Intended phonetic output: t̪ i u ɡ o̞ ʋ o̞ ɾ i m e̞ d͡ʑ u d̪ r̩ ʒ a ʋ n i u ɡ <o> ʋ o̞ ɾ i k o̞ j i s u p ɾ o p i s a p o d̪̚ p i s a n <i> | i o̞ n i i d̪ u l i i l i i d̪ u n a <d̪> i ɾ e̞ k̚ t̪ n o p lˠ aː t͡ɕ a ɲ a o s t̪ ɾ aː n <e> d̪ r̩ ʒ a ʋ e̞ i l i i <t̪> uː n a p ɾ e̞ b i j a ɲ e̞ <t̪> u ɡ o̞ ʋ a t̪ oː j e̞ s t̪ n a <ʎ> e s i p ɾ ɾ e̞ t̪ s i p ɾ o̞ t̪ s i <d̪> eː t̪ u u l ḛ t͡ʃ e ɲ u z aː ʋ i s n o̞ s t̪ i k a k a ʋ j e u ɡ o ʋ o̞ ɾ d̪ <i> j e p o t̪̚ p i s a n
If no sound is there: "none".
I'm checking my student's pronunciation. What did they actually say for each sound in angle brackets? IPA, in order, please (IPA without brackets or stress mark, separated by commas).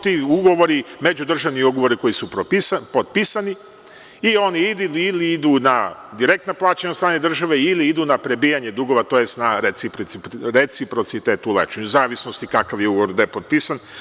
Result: o, i, d̪, e, d̪, d̪, ɾ, t̪, a